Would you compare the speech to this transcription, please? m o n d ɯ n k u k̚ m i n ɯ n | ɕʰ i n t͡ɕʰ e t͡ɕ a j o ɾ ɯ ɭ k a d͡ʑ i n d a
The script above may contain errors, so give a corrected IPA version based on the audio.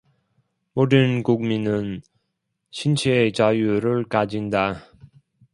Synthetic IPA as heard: m o d ɯ n k u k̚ m i n ɯ n | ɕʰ i n t͡ɕʰ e t͡ɕ a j u ɾ ɯ ɭ k a d͡ʑ i n d a